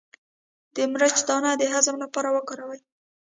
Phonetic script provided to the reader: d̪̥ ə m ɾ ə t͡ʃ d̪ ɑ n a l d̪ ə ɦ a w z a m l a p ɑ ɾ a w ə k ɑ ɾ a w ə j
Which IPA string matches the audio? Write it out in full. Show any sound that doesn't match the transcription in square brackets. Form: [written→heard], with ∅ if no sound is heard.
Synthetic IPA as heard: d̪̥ ə m ɾ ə t͡ʃ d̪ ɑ n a [l→∅] d̪ ə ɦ a [w→∅] z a m l a p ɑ ɾ a w ə k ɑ ɾ a w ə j